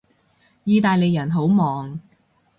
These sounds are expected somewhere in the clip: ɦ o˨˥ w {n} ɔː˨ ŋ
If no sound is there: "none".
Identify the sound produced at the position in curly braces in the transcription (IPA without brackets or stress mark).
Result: m